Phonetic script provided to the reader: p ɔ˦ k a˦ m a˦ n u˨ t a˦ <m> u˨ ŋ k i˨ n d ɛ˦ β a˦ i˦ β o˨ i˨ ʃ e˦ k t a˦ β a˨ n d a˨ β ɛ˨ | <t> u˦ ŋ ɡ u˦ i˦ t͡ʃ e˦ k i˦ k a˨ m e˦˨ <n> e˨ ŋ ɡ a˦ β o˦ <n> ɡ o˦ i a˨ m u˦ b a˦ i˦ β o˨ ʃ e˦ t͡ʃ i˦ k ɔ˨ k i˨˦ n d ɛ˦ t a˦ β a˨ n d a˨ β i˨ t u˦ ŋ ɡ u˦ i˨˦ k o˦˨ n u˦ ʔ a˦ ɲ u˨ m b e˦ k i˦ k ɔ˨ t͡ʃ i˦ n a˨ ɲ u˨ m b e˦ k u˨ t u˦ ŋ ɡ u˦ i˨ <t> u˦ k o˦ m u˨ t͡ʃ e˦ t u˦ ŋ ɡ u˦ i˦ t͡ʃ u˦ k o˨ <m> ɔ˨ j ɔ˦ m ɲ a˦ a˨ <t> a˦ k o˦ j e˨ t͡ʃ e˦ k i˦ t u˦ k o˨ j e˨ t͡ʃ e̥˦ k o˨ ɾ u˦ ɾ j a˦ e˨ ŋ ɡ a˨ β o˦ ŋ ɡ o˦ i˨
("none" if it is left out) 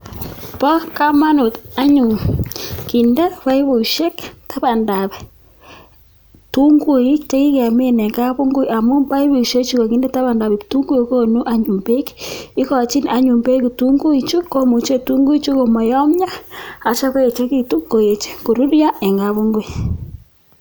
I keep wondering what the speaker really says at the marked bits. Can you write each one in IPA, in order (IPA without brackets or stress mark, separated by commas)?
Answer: ɲ, t, n, ŋ, t͡ʃ, m, t͡ʃ